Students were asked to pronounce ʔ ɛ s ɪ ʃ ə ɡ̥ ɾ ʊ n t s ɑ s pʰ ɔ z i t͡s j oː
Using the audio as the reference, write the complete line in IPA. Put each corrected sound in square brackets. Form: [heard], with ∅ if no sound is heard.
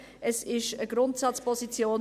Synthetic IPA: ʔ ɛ s ɪ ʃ ə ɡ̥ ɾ ʊ n t s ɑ [t͡s] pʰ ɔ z i t͡s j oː